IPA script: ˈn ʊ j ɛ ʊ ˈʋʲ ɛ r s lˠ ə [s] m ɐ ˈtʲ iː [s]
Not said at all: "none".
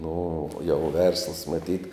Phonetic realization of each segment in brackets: s, t

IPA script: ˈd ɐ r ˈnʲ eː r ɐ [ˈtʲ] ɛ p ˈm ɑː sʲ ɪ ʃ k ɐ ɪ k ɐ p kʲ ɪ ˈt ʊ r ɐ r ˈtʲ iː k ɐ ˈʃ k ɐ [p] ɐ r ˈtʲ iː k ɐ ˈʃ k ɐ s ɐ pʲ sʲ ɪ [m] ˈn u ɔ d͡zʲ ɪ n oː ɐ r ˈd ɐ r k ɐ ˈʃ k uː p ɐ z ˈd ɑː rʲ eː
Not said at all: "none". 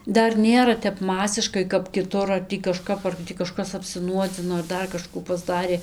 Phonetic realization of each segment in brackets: tʲ, p, none

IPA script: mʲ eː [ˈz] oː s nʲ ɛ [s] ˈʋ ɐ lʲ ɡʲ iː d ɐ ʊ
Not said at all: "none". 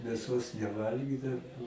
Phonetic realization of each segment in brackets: s, none

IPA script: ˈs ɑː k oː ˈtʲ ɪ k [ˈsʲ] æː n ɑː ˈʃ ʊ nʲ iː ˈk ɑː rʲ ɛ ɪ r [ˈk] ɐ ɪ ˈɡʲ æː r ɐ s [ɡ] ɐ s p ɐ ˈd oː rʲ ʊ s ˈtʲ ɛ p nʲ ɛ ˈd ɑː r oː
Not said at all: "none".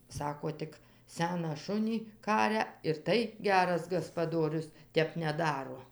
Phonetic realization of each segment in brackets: sʲ, t, ɡ

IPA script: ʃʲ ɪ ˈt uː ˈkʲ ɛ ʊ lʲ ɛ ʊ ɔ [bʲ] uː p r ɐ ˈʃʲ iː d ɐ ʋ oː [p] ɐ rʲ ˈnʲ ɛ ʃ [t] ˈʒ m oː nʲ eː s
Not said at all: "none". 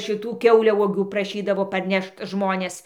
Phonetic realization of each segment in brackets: ɡʲ, p, t

